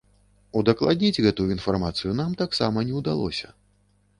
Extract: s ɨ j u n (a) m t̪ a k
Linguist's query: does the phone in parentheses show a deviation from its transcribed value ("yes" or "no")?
no